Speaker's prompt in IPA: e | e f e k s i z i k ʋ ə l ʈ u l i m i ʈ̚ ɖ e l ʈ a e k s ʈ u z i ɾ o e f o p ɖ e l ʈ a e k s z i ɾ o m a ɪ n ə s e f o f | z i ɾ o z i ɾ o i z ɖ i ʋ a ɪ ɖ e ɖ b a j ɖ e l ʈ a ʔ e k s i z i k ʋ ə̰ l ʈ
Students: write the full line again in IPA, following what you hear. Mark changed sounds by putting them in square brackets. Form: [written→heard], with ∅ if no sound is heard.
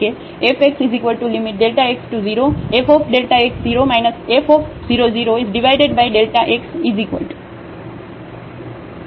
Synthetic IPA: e | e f e k s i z i k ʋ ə l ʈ u l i m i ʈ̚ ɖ e l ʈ a e k s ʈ u z i ɾ o e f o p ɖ e l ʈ a e k s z i ɾ o m a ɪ n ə s e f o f | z i ɾ o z i ɾ o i z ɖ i ʋ a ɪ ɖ e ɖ b a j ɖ e l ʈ a ʔ e k s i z i k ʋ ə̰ l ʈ

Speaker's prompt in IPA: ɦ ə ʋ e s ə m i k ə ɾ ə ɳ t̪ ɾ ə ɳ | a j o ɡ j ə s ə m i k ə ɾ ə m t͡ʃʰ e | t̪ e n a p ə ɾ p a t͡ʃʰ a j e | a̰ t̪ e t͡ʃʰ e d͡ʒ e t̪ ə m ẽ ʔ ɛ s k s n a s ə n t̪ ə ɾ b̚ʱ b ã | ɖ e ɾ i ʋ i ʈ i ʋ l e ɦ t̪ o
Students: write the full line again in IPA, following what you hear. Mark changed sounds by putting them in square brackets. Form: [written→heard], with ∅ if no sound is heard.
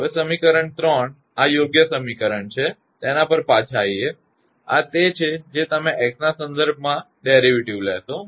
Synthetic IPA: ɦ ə ʋ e s ə m i k ə ɾ ə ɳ t̪ ɾ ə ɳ | a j o ɡ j ə s ə m i k ə ɾ ə [m→ɳ] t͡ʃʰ e | t̪ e n a p ə ɾ p a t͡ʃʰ a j e | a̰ t̪ e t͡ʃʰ e d͡ʒ e t̪ ə m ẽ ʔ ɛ [s→∅] k s n a s ə n [t̪→d̪] ə ɾ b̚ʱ [b→m] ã | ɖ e ɾ i ʋ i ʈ i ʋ l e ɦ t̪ o

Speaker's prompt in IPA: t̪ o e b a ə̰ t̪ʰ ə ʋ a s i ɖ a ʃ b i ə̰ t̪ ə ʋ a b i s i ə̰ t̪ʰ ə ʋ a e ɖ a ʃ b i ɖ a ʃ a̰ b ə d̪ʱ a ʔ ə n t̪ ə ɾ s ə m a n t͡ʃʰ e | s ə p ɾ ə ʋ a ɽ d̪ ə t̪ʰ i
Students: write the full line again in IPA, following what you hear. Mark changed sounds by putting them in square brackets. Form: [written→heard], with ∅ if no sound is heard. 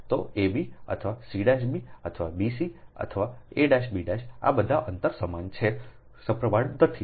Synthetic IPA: t̪ o e b [a→i] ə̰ t̪ʰ ə ʋ a s i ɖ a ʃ b i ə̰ [t̪→t̪ʰ] ə ʋ a b i s i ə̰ t̪ʰ ə ʋ a e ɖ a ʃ b i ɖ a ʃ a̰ b ə d̪ʱ a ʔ ə n t̪ ə ɾ s ə m a n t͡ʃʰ e | s ə p ɾ ə ʋ a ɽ d̪ ə t̪ʰ i

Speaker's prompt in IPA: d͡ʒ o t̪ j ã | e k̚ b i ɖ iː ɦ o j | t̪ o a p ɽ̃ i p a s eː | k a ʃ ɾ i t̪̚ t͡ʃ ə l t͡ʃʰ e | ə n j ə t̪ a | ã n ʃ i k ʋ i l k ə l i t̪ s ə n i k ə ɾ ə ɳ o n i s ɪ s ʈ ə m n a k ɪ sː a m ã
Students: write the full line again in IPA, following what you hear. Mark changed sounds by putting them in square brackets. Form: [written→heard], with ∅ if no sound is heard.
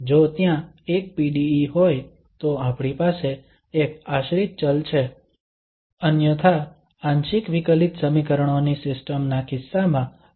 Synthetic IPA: d͡ʒ o t̪ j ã | e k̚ [b→p] i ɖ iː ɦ o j | t̪ o a p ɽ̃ i p a s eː | k a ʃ ɾ i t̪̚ t͡ʃ ə l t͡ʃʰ e | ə n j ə [t̪→t̪ʰ] a | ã n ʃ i k ʋ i [l→∅] k ə l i t̪ s ə [n→m] i k ə ɾ ə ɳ o n i s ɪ s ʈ ə m n a k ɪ sː a m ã

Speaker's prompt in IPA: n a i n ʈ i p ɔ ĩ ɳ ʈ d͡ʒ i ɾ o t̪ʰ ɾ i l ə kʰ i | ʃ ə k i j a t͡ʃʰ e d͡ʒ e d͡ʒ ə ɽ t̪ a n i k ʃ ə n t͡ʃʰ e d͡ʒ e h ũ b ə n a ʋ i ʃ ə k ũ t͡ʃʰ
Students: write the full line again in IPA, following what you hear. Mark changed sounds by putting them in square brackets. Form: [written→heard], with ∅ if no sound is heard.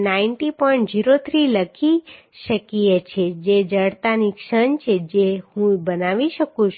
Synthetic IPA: n a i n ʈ i p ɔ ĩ ɳ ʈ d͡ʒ i ɾ o t̪ʰ ɾ i l ə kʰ i | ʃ ə k i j [a→e] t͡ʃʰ e d͡ʒ e d͡ʒ ə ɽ t̪ a n i k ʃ ə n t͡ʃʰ e d͡ʒ e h ũ b ə n a ʋ i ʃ ə k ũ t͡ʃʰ

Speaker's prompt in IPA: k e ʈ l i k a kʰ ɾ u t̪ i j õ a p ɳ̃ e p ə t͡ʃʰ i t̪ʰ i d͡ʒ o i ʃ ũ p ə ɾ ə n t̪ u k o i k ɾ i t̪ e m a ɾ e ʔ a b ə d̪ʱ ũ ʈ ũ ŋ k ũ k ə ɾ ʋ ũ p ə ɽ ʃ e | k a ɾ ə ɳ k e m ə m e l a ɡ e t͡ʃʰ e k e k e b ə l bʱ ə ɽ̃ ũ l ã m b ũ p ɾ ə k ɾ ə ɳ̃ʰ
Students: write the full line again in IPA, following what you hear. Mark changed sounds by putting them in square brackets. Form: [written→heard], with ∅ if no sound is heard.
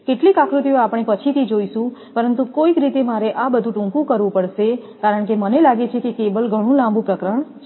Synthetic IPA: k e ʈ l i k a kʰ ɾ u t̪ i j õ a p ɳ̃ e p ə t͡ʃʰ i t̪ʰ i d͡ʒ o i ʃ ũ p ə ɾ ə n t̪ u k o i k ɾ i t̪ e m a ɾ e ʔ a b ə d̪ʱ ũ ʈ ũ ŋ k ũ k ə ɾ ʋ ũ p ə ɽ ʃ e | k a ɾ ə ɳ k e m ə [m→n] e l a ɡ e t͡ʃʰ e k e k e b ə l [bʱ→ɡʱ] ə ɽ̃ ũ l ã m b ũ p ɾ ə k ɾ ə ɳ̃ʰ

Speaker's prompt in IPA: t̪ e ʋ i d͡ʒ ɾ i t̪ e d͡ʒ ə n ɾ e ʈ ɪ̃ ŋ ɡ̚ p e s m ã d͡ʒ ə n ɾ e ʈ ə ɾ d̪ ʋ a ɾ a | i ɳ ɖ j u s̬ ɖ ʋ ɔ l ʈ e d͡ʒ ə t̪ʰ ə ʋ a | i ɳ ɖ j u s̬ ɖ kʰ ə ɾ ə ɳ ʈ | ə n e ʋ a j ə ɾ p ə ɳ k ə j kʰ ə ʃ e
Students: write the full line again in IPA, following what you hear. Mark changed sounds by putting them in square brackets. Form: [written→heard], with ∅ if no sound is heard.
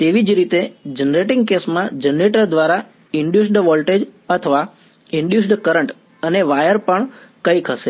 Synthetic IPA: t̪ e ʋ i d͡ʒ ɾ i t̪ e d͡ʒ ə n ɾ e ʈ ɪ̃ ŋ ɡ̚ [p→k] e s m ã d͡ʒ ə n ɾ e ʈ ə ɾ d̪ ʋ a ɾ a | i ɳ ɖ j u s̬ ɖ ʋ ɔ l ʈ e d͡ʒ ə t̪ʰ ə ʋ a | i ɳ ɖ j u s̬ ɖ [kʰ→k] ə ɾ ə ɳ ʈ | ə n e ʋ a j ə ɾ p ə ɳ k ə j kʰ ə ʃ e

